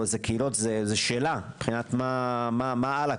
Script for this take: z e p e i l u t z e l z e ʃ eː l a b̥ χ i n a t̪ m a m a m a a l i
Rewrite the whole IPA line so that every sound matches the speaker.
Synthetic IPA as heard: z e k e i l o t z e z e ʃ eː l a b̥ χ i n a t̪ m a m a m a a l a